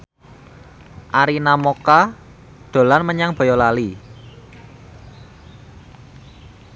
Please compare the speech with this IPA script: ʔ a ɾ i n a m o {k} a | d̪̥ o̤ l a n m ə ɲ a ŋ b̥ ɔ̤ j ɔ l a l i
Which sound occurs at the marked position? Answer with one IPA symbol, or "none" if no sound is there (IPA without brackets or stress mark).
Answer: k